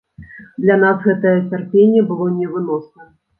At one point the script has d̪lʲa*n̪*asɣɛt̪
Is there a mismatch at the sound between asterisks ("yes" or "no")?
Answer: no